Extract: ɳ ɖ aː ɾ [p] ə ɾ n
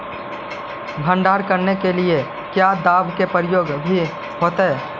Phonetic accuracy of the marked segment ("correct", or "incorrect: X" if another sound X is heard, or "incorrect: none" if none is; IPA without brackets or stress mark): incorrect: k